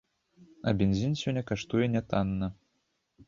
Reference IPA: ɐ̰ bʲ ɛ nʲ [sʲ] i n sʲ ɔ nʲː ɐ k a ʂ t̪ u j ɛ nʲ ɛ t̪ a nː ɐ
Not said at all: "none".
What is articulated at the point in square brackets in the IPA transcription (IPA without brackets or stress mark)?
zʲ